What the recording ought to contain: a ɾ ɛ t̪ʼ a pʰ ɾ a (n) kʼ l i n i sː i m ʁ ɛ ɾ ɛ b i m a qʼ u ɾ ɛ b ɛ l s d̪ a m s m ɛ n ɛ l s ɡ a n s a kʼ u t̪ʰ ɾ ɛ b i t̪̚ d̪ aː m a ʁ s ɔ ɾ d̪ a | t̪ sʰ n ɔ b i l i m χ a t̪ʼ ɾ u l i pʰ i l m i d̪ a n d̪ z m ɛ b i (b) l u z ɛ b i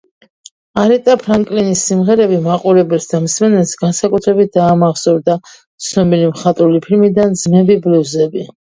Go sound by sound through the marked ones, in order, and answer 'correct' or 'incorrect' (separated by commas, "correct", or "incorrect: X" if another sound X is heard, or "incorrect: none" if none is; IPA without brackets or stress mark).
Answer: incorrect: ŋ, correct